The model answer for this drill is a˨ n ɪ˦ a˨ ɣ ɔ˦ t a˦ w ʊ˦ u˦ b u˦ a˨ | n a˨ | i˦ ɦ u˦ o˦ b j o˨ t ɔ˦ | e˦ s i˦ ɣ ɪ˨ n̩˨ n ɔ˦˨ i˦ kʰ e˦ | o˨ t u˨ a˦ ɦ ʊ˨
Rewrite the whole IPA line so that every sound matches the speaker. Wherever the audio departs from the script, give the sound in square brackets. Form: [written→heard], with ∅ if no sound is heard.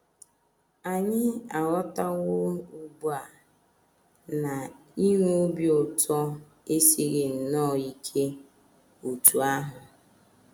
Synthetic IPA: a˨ [n→ɲ] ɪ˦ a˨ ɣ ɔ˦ t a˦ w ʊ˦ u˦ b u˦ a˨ | n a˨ | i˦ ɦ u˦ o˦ b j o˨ t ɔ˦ | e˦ s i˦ ɣ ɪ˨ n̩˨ n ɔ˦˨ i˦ kʰ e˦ | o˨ t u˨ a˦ ɦ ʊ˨